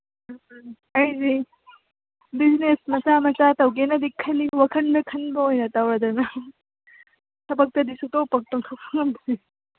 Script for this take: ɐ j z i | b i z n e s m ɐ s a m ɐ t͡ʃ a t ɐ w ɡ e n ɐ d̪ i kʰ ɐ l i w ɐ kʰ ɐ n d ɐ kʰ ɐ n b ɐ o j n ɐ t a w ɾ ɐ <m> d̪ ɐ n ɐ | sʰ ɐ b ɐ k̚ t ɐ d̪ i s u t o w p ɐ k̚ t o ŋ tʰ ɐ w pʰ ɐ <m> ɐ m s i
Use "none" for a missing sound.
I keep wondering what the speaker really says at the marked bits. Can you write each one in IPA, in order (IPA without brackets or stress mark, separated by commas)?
none, ŋ